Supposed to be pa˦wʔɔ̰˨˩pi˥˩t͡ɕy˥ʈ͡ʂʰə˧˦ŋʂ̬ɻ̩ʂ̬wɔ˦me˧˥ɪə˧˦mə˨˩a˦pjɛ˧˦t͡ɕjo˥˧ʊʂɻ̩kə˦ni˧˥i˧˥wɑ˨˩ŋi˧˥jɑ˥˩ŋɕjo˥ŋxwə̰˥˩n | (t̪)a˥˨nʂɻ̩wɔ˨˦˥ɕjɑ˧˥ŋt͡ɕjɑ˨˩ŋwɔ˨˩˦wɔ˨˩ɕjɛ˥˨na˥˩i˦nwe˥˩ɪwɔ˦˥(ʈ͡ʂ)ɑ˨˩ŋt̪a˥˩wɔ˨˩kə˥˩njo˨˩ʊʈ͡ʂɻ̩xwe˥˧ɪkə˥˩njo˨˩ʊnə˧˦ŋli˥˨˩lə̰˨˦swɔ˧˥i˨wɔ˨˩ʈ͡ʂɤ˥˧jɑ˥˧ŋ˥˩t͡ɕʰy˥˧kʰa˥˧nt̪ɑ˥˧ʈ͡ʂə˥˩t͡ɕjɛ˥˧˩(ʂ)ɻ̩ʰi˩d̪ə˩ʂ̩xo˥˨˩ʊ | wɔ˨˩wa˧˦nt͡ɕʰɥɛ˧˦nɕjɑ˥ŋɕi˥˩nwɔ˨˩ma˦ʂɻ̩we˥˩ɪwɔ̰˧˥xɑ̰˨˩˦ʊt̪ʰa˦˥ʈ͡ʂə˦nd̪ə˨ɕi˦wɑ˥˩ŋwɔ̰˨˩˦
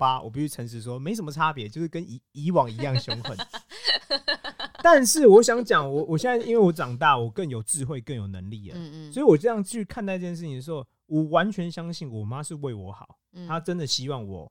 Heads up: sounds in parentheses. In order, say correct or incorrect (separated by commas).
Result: correct, correct, correct